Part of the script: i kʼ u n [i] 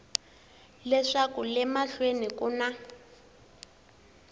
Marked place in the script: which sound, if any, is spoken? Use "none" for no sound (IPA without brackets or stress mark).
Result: a